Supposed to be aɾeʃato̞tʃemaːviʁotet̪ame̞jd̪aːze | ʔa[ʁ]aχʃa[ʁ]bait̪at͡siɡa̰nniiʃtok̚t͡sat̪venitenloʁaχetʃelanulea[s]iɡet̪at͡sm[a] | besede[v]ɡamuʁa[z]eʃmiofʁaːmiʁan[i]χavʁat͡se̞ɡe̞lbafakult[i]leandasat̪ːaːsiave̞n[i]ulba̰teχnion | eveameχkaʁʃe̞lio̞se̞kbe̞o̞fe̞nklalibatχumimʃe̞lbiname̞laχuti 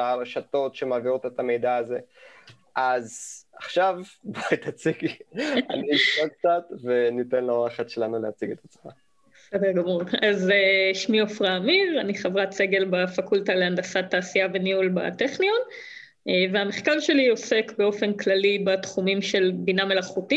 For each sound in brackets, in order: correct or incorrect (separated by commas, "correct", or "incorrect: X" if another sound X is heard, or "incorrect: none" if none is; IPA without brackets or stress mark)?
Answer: incorrect: z, incorrect: v, incorrect: t͡s, correct, incorrect: ʁ, correct, correct, incorrect: a, correct